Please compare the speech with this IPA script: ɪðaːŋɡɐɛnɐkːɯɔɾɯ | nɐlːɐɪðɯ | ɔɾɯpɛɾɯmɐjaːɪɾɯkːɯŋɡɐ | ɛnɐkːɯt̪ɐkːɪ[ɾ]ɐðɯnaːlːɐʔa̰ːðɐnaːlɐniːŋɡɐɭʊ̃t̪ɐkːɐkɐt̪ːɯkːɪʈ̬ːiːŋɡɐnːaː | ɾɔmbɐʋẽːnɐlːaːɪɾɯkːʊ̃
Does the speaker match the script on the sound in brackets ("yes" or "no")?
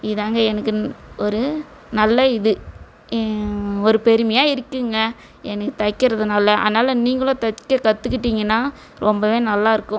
yes